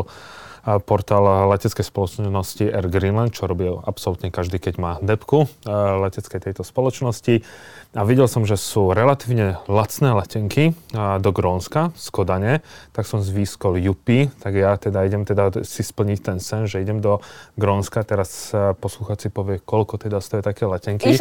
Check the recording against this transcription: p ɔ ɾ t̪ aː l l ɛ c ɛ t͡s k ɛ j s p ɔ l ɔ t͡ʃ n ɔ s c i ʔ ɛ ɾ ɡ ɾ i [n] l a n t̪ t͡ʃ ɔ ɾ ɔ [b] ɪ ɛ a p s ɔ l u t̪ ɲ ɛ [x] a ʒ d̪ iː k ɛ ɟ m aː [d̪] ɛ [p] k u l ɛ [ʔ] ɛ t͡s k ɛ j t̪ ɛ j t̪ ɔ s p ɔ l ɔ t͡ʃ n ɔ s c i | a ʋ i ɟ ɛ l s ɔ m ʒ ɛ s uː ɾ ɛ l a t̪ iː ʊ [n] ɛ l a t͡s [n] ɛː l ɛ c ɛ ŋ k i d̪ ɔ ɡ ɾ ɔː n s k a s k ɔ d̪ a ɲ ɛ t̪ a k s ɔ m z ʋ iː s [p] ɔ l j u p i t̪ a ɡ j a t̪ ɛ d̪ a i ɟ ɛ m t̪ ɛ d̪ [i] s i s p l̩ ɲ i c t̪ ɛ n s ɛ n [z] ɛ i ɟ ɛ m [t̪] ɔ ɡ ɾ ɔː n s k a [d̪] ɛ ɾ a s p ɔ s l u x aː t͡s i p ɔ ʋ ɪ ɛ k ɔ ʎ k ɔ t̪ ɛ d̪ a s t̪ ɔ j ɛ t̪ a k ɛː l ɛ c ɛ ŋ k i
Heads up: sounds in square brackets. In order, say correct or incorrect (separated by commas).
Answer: correct, correct, incorrect, correct, correct, incorrect, incorrect, correct, incorrect, incorrect, incorrect, incorrect, incorrect